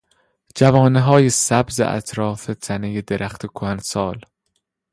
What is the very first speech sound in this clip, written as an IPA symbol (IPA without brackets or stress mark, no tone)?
d͡ʒ